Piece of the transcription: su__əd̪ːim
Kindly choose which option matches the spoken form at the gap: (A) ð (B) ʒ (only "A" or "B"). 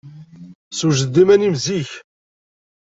B